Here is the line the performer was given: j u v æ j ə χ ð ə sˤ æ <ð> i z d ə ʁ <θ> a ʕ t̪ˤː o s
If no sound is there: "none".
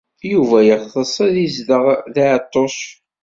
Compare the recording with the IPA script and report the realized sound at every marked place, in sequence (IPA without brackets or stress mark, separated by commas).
ð, ð